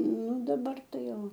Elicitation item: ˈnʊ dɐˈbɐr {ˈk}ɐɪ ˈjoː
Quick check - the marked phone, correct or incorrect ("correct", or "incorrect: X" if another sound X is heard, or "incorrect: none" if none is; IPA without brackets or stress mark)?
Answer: incorrect: t